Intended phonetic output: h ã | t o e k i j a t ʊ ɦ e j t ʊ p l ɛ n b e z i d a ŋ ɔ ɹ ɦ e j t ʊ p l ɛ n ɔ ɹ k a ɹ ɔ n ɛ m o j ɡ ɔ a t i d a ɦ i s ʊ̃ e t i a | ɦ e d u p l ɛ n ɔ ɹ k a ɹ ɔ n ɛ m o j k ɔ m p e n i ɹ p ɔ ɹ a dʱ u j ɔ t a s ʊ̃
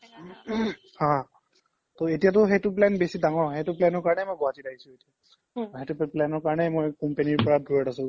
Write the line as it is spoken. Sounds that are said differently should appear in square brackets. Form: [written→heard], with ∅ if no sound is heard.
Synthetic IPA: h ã | t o e [k→t] i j a t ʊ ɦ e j t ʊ p l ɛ n b e [z→s] i d a ŋ ɔ ɹ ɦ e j t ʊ p l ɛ n ɔ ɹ k a ɹ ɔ n ɛ m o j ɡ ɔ a t i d a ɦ i s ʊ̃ e t i a | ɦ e [d→t] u p l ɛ n ɔ ɹ k a ɹ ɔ n ɛ m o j k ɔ m p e n i ɹ p ɔ ɹ a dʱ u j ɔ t a s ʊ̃